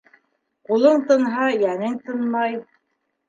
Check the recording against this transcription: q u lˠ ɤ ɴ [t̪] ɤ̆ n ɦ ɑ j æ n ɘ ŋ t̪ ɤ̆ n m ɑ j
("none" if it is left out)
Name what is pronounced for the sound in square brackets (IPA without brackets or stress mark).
t̪